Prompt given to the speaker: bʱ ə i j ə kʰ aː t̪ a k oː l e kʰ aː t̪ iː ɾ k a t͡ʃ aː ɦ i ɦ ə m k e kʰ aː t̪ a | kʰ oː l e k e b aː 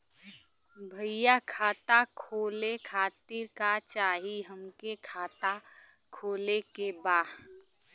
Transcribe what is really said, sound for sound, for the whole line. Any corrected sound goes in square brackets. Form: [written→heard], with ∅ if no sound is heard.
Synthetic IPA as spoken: bʱ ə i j [ə→a] kʰ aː t̪ a [k→kʰ] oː l e kʰ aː t̪ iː ɾ k a t͡ʃ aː ɦ i ɦ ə m k e kʰ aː t̪ a | kʰ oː l e k e b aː